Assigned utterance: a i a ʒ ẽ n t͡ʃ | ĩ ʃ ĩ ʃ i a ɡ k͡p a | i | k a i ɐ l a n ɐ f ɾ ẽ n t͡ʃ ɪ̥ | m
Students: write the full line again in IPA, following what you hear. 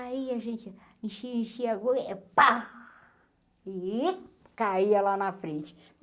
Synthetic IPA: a i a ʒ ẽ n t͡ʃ | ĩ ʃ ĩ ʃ i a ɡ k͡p a | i | k a i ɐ l a n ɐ f ɾ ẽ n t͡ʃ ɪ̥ | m